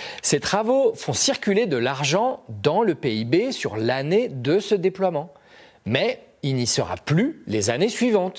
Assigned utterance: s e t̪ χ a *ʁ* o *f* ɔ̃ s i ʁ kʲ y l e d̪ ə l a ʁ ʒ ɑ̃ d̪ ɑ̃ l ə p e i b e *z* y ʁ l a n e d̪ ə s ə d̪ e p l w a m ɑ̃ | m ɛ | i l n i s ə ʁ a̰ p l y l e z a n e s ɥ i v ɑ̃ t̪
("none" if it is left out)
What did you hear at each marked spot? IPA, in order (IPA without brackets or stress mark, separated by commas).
v, f, s